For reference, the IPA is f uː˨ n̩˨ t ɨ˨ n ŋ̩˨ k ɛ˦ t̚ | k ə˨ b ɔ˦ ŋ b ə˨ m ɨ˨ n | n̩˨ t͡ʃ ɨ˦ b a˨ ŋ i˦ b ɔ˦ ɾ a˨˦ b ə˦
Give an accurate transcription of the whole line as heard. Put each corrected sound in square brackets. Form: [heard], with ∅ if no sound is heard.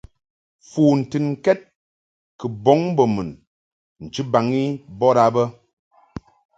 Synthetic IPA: f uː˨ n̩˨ t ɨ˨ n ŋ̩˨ k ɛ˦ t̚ | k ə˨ b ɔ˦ ŋ b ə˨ m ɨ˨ n | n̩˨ t͡ʃ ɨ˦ b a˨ ŋ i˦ b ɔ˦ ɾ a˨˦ b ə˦

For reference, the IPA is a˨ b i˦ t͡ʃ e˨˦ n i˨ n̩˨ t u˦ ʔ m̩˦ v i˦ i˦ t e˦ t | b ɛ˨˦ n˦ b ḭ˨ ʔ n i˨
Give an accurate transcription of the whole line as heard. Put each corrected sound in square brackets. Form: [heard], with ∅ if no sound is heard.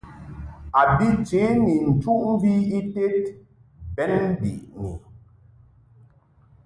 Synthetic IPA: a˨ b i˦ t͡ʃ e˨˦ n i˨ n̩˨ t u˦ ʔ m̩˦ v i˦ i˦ t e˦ t | b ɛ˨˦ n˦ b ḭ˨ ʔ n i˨

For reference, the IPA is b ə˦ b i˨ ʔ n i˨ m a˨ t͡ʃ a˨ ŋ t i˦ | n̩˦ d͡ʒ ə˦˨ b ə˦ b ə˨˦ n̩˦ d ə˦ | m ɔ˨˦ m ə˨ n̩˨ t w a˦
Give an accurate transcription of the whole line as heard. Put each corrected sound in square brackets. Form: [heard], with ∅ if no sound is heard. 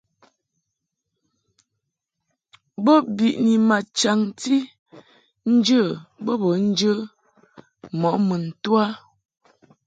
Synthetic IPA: b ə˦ b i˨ ʔ n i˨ m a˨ t͡ʃ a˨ ŋ t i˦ | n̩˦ d͡ʒ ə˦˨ b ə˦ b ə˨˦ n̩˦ [d͡ʒ] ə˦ | m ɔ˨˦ m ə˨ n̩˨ t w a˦

